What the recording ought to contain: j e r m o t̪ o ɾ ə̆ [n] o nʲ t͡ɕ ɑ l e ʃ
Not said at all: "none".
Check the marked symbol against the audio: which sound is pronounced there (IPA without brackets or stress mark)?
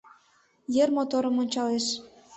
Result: m